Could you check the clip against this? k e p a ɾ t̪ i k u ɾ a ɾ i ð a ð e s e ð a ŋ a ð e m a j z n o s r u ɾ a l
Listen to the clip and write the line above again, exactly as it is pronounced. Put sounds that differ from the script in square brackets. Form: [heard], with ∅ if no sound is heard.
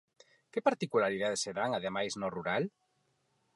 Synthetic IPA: k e p a ɾ t̪ i k u [l] a ɾ i ð a ð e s e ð a ŋ a ð e m a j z n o [∅] r u ɾ a l